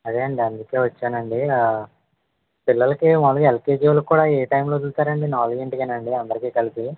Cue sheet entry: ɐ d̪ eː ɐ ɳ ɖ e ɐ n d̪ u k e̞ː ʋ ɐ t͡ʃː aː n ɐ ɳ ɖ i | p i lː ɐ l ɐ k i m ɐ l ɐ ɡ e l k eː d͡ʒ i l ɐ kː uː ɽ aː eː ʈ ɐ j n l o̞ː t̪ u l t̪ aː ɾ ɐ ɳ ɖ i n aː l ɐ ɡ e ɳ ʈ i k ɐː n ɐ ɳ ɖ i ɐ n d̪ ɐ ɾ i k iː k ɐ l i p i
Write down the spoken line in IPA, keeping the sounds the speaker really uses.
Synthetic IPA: ɐ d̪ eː ɐ ɳ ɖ i ɐ n d̪ u k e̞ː ʋ ɐ t͡ʃː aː n ɐ ɳ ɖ i | p i lː ɐ l ɐ k i m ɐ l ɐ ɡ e l k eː d͡ʒ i l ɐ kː uː ɽ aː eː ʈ ɐ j m l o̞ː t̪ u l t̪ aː ɾ ɐ ɳ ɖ i n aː l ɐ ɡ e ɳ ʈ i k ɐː n ɐ ɳ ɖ i ɐ n d̪ ɐ ɾ i k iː k ɐ l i p i

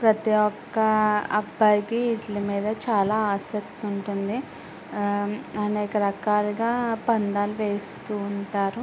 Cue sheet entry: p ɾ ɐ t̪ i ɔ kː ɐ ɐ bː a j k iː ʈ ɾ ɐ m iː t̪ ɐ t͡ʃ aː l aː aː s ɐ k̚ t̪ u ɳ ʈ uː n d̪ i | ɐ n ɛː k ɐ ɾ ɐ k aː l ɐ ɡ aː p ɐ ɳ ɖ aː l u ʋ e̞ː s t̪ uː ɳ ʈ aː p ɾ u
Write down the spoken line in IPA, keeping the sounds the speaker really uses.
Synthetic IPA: p ɾ ɐ t̪ i ɔ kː ɐ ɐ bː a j k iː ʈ l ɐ m iː d̪ ɐ t͡ʃ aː l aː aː s ɐ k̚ t̪ u ɳ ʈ u n d̪ i | ɐ n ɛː k ɐ ɾ ɐ k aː l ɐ ɡ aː p ɐ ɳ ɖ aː l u ʋ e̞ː s t̪ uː ɳ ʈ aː ɾ u

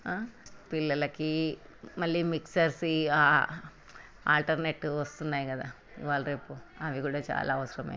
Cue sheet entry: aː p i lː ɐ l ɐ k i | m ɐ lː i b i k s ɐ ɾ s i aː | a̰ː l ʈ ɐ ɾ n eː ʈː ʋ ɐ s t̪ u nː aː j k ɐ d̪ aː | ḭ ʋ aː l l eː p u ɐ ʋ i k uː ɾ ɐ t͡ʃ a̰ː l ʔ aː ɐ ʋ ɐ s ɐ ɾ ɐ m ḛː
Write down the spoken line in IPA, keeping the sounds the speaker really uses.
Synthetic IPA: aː p i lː ɐ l ɐ k i | m ɐ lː i m i k s ɐ ɾ s i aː | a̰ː l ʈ ɐ ɾ n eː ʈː ʋ ɐ s t̪ u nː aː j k ɐ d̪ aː | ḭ ʋ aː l ɾ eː p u ɐ ʋ i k uː ɽ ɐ t͡ʃ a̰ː l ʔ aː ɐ ʋ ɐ s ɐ ɾ ɐ m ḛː

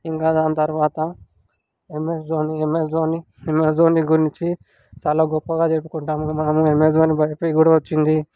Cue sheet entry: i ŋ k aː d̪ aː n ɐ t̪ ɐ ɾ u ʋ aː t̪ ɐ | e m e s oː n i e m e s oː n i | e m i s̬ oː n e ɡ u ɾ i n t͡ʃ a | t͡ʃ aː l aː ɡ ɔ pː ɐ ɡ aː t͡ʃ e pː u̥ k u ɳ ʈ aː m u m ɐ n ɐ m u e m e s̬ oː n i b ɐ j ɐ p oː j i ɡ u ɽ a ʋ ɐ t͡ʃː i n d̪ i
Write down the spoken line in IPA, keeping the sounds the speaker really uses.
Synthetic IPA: i ŋ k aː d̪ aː n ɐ t̪ ɐ ɾ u ʋ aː t̪ ɐ | e m e s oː n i e m e s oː n i | e m e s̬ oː n i ɡ u ɾ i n t͡ʃ i | t͡ʃ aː l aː ɡ ɔ pː ɐ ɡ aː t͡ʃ e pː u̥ k u ɳ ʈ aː m u m ɐ n ɐ m u e m e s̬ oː n i b ɐ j ɐ p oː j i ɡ u ɽ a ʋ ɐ t͡ʃː i n d̪ i

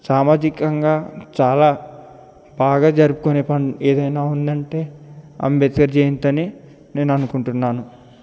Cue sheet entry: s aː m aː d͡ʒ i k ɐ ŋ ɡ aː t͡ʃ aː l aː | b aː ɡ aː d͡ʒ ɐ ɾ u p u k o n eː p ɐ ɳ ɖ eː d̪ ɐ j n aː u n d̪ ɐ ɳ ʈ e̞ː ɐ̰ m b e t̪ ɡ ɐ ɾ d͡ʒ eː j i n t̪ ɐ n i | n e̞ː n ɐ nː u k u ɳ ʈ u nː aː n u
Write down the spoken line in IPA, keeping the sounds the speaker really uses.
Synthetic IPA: s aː m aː d͡ʒ i k ɐ ŋ ɡ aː t͡ʃ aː l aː | b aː ɡ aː d͡ʒ ɐ ɾ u p u k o n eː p ɐ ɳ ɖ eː d̪ ɐ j n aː u n d̪ ɐ ɳ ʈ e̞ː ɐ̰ m b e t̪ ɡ ɐ ɾ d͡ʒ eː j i n t̪ ɐ n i | n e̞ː n ɐ n u k u ɳ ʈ u nː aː n u

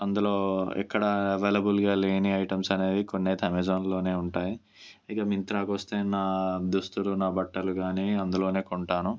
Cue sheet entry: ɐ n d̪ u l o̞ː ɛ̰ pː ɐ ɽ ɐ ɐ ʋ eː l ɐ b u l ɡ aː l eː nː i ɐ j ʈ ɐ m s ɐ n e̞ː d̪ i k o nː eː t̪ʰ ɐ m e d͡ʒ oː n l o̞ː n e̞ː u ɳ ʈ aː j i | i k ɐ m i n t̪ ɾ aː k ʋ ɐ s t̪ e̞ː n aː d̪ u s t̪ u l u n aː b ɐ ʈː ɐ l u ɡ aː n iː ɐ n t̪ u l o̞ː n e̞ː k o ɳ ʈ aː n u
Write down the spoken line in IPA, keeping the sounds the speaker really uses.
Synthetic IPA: ɐ n d̪ u l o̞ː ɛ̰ kː ɐ ɽ ɐ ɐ ʋ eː l ɐ b u l ɡ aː l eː n i ɐ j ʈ ɐ m s ɐ n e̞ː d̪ i k o nː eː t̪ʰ ɐ m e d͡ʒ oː n l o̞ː n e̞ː u ɳ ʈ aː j i | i k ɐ m i n t̪ ɾ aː k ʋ ɐ s t̪ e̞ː n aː d̪ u s t̪ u l u n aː b ɐ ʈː ɐ l u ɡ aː n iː ɐ n d̪ u l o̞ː n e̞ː k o ɳ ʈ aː n u

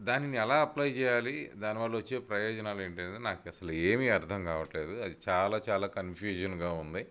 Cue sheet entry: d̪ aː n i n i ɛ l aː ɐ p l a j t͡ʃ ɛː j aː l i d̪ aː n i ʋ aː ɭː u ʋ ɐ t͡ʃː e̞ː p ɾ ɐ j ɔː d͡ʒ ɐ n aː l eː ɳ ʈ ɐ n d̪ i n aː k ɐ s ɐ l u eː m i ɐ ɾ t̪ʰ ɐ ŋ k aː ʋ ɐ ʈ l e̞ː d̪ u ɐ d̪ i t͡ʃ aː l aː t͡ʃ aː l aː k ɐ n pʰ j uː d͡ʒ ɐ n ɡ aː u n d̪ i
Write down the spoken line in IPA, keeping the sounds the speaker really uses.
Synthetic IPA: d̪ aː n i n i ɛ l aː ɐ p l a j t͡ʃ ɛː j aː l i d̪ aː n i ʋ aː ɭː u ʋ ɐ t͡ʃː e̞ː p ɾ ɐ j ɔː d͡ʒ ɐ n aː l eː ɳ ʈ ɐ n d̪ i n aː k ɐ s ɐ l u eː m i ɐ ɾ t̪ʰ ɐ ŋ k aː ʋ ɐ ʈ l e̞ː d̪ u ɐ d̪ i t͡ʃ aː l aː t͡ʃ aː l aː k ɐ n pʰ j uː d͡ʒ ɐ n ɡ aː u n d̪ i

